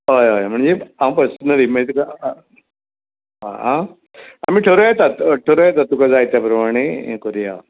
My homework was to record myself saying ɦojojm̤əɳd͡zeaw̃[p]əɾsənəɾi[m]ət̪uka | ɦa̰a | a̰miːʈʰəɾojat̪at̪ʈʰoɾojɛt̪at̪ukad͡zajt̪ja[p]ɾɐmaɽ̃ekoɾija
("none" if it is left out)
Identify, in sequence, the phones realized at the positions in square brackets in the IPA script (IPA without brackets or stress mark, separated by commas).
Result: p, m, p